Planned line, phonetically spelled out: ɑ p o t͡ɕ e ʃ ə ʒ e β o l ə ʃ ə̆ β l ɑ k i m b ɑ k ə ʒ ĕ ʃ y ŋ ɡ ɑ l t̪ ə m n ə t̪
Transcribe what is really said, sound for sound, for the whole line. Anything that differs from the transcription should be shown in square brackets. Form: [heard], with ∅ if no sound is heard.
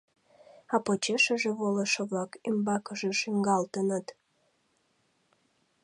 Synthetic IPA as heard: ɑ p o t͡ɕ e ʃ ə ʒ e β o l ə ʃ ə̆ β l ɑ k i m b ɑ k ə ʒ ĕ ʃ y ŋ ɡ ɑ l t̪ ə [∅] n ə t̪

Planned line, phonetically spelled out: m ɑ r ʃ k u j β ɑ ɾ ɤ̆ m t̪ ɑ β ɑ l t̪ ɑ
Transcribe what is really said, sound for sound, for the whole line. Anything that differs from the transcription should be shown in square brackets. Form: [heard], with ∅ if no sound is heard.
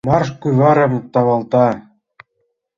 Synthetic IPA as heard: m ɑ r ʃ k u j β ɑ ɾ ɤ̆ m t̪ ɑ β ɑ l t̪ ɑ

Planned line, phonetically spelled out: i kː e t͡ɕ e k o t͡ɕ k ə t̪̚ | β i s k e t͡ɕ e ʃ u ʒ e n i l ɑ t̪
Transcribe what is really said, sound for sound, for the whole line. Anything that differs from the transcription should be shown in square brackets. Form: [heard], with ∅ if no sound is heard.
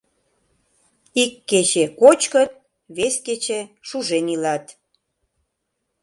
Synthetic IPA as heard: i kː e t͡ɕ e k o t͡ɕ k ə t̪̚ | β [e] s k e t͡ɕ e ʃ u ʒ e n i l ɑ t̪

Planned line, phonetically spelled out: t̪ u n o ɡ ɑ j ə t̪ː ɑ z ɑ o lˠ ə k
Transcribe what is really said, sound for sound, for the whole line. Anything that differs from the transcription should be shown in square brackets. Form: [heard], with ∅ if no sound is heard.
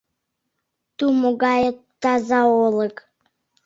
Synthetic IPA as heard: t̪ u [m] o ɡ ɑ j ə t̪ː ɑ z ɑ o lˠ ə k

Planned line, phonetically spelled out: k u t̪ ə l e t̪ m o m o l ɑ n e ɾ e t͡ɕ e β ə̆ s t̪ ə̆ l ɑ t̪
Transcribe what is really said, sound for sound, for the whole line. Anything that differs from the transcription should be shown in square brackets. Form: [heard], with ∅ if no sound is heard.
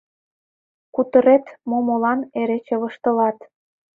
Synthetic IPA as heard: k u t̪ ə [ɾ] e t̪ m o m o l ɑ n e ɾ e t͡ɕ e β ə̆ [ʃ] t̪ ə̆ l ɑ t̪

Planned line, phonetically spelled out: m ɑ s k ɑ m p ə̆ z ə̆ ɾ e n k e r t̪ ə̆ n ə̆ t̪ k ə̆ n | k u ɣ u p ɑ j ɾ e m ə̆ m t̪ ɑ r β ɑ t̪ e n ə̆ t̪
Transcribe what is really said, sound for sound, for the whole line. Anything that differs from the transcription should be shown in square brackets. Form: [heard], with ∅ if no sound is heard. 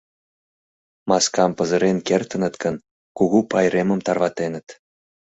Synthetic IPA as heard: m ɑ s k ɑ m p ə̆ z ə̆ ɾ e n k e r t̪ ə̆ n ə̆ t̪ k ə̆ n | k u ɣ u p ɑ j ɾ e m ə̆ m t̪ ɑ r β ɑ t̪ e n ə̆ t̪

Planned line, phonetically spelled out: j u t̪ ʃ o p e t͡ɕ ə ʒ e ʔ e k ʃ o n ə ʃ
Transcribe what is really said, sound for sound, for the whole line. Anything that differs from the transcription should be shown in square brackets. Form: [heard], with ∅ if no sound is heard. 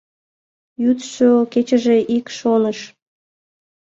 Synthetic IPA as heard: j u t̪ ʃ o [k] e t͡ɕ ə ʒ e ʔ [i] k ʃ o n ə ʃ

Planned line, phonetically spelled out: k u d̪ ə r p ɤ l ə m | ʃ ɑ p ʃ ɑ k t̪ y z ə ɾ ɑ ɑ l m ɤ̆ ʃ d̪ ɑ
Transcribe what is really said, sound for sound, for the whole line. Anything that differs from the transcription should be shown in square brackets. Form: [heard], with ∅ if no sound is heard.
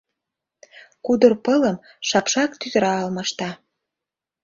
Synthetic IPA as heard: k u d̪ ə r p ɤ l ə m | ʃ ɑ p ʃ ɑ k t̪ y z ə ɾ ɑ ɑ l m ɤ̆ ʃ [t̪] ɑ

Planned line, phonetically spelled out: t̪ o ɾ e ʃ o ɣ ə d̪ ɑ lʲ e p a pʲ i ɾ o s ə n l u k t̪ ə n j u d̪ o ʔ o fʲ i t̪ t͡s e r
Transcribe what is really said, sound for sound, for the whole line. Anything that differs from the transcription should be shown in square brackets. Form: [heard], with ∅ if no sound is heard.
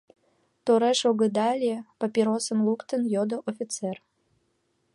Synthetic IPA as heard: t̪ o ɾ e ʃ o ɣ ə d̪ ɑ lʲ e p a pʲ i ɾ o s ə n l u k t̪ ə n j [o] d̪ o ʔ o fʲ i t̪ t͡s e r

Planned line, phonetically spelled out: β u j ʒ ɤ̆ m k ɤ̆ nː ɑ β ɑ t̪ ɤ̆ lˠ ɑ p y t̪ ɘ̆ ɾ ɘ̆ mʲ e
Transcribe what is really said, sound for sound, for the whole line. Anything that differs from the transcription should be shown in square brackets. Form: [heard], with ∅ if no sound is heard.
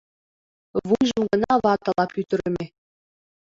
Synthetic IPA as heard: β u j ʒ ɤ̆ m [ɡ] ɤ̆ [n] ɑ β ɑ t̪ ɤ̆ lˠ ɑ p y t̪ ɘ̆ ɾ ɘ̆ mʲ e

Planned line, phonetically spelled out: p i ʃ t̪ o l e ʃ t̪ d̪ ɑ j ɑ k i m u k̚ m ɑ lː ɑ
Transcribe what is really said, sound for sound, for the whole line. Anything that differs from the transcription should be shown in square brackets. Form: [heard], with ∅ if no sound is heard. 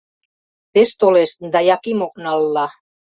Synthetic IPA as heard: p [e] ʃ t̪ o l e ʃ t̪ d̪ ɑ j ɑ k i m [o] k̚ [n] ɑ lː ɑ

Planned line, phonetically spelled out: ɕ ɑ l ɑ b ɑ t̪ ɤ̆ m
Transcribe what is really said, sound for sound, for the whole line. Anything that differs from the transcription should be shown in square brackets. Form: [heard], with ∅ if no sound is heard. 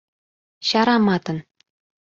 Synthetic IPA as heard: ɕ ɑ [ɾ] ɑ [m] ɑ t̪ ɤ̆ [n]

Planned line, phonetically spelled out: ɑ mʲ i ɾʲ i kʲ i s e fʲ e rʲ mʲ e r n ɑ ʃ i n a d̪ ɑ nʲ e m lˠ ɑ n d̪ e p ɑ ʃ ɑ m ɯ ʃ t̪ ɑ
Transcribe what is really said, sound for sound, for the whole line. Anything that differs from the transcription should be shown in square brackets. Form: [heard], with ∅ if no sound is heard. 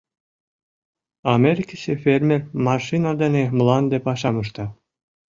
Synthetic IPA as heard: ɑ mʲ [e] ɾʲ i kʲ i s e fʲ e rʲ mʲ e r [m] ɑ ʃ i n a d̪ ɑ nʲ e m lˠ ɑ n d̪ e p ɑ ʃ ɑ m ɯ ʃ t̪ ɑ

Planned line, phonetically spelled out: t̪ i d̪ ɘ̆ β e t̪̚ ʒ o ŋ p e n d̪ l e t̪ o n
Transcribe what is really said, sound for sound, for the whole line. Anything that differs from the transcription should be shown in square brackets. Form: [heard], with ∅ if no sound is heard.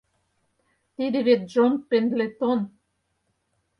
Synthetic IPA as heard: t̪ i d̪ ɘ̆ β e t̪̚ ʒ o [n] p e n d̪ l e t̪ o n

